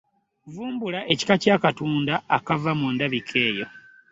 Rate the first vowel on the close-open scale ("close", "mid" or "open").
close